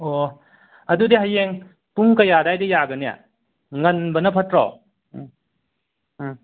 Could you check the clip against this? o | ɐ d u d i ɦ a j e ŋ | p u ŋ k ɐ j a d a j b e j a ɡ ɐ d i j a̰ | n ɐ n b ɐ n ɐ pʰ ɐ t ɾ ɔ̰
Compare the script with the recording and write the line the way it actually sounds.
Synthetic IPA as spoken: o | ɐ d u d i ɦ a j e ŋ | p u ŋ k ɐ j a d a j d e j a ɡ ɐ n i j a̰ | ŋ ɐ n b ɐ n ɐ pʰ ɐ t ɾ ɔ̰